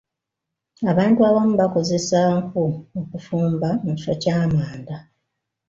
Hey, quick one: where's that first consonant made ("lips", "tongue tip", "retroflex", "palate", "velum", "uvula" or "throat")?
lips